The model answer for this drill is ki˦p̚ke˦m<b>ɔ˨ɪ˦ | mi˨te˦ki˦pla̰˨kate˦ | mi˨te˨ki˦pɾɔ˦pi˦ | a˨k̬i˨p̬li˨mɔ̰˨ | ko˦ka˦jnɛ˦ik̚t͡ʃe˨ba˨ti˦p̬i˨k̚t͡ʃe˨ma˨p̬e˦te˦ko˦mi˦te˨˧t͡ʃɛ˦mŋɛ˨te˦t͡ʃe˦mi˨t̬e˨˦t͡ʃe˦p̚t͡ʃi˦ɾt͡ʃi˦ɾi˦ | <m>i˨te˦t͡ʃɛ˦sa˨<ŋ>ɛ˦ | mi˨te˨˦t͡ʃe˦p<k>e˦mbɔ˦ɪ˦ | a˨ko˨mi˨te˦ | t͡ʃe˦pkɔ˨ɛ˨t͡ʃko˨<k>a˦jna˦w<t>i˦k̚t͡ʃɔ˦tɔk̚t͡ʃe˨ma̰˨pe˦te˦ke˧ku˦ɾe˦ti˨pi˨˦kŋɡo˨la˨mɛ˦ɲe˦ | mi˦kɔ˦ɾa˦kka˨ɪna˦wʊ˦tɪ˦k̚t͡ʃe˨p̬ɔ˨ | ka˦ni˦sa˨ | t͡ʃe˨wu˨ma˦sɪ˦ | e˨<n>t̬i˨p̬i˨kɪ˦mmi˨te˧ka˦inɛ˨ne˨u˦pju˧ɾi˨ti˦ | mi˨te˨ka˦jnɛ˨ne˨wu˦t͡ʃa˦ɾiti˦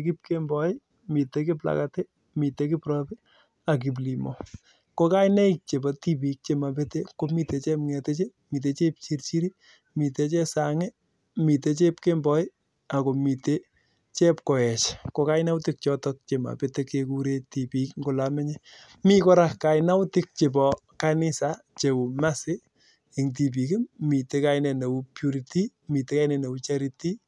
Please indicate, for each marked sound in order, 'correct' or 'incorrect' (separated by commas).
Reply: correct, correct, correct, correct, correct, correct, incorrect